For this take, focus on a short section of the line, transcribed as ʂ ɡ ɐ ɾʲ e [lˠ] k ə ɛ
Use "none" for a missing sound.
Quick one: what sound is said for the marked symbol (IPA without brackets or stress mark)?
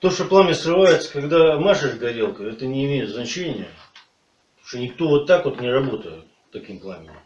lˠ